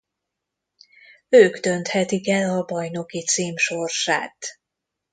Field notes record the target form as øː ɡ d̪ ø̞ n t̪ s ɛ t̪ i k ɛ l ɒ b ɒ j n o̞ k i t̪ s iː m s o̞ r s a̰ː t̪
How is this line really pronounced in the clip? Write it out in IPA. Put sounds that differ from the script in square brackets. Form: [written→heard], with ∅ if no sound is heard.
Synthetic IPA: øː ɡ d̪ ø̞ n t̪ [s→h] ɛ t̪ i k ɛ l ɒ b ɒ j n o̞ k i t̪ s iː m [s→ʃ] o̞ r [s→ʃ] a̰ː t̪